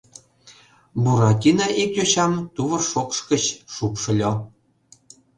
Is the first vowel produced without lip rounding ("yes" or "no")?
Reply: no